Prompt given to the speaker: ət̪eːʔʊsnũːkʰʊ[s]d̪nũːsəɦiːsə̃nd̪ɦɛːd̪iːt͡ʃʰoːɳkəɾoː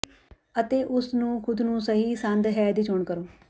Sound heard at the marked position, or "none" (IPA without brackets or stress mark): none